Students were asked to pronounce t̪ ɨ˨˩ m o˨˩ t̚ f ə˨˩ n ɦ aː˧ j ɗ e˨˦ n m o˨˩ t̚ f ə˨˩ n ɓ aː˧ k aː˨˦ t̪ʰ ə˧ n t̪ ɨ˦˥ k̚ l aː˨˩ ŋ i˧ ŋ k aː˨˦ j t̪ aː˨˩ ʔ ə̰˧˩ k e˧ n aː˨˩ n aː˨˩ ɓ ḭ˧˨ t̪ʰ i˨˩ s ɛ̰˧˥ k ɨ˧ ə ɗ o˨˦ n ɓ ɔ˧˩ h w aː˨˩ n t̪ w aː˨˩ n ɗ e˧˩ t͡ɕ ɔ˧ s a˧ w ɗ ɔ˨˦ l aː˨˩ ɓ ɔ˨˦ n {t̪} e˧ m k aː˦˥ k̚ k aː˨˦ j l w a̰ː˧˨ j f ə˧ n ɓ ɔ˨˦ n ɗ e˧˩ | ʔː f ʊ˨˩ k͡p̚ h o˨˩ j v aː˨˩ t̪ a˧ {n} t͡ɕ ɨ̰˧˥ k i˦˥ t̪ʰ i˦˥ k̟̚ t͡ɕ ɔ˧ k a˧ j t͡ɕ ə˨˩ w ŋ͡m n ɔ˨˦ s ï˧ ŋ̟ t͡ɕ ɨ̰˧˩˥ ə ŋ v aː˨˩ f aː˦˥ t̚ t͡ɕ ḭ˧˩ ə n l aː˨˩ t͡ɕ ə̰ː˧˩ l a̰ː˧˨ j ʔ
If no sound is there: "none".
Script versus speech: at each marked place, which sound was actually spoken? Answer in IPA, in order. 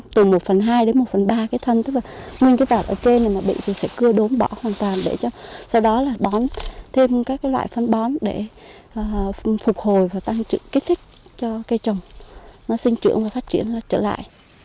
t̪ʰ, ŋ

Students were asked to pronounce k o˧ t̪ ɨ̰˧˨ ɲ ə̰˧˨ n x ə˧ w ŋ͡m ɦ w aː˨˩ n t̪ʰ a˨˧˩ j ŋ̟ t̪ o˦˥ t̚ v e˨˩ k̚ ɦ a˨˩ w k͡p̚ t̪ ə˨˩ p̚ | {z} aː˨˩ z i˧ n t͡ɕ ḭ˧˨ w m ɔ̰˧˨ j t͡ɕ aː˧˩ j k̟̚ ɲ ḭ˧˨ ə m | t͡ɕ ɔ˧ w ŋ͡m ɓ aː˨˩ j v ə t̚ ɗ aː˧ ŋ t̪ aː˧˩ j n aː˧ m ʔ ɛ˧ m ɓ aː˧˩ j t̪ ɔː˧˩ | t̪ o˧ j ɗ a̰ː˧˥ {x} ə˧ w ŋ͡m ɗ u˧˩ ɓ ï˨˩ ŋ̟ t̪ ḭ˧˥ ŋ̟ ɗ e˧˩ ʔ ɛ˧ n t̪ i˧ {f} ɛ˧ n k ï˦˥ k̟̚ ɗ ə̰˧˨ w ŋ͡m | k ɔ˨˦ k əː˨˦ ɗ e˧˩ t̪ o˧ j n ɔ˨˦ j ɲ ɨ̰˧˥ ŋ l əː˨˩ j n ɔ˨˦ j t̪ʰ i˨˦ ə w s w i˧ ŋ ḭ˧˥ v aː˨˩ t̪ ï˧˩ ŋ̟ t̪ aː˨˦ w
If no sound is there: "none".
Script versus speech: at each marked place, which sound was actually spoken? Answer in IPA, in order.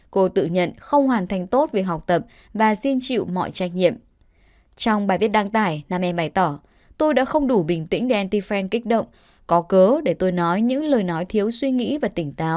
v, x, f

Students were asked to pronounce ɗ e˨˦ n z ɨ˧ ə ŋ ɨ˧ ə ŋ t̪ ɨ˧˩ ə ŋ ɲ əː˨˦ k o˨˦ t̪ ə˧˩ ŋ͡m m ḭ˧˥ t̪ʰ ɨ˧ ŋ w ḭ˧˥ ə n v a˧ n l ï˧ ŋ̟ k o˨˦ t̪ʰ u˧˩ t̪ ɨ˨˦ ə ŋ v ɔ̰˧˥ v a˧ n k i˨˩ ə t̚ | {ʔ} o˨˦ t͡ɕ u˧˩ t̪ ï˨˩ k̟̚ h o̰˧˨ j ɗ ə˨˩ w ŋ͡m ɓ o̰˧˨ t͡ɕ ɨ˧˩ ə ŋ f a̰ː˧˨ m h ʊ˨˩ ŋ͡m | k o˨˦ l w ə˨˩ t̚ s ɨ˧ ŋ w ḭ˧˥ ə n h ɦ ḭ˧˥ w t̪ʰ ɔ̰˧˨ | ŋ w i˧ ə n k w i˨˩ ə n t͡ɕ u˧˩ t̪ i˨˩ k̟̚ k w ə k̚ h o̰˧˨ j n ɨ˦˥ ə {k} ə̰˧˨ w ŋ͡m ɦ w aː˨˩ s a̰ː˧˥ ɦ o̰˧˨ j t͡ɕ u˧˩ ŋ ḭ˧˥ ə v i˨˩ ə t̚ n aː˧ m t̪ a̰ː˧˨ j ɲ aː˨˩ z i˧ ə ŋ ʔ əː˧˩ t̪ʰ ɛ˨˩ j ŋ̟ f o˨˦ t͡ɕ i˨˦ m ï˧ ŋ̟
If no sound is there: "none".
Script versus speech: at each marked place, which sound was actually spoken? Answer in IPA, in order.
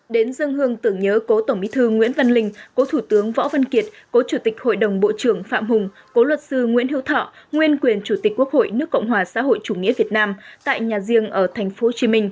k, k

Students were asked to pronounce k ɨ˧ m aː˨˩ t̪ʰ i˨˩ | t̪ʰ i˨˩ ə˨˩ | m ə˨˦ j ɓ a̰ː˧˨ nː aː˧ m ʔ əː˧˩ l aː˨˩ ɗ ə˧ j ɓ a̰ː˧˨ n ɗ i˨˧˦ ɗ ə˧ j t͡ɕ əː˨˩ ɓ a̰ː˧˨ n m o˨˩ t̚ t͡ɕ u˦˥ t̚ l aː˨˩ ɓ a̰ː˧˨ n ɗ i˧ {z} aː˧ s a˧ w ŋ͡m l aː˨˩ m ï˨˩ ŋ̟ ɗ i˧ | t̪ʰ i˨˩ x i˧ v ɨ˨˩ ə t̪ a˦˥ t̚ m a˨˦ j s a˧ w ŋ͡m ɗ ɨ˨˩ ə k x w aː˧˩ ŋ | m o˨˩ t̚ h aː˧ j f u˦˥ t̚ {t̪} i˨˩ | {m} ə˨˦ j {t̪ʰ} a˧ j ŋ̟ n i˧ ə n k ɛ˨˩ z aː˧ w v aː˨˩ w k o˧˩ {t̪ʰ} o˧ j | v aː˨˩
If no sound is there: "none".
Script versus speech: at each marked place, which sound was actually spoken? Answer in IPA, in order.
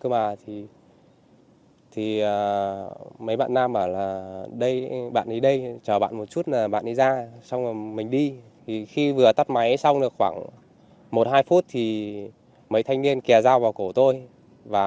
z, t̪ʰ, m, t̪ʰ, t̪

